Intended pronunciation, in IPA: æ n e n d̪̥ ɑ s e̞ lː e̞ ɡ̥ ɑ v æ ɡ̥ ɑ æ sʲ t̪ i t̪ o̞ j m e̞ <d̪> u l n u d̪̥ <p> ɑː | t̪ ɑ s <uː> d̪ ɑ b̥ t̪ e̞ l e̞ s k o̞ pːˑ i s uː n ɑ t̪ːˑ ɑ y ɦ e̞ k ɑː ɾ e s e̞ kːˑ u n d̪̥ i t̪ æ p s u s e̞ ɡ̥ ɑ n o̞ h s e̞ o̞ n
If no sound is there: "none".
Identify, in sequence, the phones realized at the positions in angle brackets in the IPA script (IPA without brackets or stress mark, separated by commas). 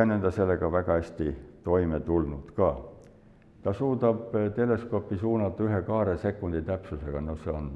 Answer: t̪, k, uː